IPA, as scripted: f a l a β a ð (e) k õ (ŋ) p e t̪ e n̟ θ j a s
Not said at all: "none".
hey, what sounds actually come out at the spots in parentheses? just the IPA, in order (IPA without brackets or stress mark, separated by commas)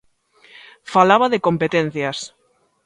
e, m